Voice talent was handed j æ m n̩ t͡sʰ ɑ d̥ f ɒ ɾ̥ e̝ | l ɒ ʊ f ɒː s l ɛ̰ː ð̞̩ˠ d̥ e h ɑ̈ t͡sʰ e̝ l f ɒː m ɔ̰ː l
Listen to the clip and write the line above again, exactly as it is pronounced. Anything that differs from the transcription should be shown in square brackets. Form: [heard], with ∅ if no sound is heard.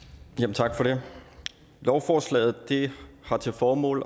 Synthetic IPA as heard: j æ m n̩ t͡sʰ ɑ [ɡ̥] f ɒ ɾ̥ e̝ | l ɒ ʊ f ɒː s l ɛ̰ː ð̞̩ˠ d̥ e h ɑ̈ t͡sʰ e̝ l f ɒː m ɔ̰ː l

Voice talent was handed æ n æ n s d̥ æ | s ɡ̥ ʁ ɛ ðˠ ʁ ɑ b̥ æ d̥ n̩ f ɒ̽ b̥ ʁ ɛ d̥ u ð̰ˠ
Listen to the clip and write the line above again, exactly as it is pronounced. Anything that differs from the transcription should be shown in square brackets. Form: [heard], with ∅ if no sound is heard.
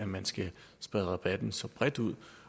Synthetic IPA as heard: æ [m] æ n s [ɡ̥] æ | s [b̥] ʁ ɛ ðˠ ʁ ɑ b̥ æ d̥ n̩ [s] ɒ̽ b̥ ʁ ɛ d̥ u ð̰ˠ

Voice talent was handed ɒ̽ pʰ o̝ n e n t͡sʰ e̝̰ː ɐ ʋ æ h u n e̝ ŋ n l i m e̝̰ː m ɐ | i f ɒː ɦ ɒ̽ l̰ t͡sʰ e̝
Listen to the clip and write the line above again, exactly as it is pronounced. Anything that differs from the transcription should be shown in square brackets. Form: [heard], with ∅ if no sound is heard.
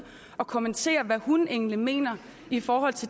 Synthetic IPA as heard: ɒ̽ [kʰ] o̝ [m] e n t͡sʰ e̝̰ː ɐ ʋ æ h u n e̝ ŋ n l i m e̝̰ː [n] ɐ | i f ɒː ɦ ɒ̽ l̰ t͡sʰ e̝

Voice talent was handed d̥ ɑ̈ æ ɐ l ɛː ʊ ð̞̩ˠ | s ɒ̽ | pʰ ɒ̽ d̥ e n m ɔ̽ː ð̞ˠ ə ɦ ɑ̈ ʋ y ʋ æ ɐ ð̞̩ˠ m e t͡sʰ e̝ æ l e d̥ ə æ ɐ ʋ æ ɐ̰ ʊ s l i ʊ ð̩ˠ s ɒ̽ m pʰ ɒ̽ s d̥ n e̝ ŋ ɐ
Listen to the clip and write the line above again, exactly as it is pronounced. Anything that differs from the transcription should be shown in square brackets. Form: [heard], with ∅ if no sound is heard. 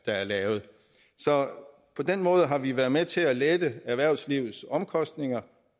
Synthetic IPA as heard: d̥ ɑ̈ æ ɐ l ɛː ʊ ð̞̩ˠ | s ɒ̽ | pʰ ɒ̽ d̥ e n m ɔ̽ː ð̞ˠ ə ɦ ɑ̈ ʋ [i] ʋ æ ɐ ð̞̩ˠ m e t͡sʰ e̝ æ l e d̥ ə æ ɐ ʋ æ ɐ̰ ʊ s l i ʊ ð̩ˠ s ɒ̽ m [kʰ] ɒ̽ s d̥ n e̝ ŋ ɐ

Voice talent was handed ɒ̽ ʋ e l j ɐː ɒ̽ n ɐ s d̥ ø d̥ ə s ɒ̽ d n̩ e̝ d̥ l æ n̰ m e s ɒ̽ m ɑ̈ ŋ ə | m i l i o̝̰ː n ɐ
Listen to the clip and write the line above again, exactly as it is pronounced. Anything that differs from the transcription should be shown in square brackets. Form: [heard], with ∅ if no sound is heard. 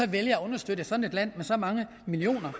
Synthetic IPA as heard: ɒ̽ ʋ e l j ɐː [ɔ̽] n ɐ s d̥ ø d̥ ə s ɒ̽ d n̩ e̝ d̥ l æ n̰ m e s ɒ̽ m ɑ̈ ŋ ə | m i l i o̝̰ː n ɐ

